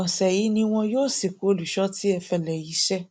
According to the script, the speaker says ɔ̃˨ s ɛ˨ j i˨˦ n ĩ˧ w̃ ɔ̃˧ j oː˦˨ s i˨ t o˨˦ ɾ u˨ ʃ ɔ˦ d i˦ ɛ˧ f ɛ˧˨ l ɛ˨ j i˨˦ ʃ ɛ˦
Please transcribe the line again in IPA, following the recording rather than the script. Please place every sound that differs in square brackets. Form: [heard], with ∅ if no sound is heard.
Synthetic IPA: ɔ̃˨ s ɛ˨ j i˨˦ n ĩ˧ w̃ ɔ̃˧ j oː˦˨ s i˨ [k] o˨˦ [l] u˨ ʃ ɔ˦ [t] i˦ ɛ˧ f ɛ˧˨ l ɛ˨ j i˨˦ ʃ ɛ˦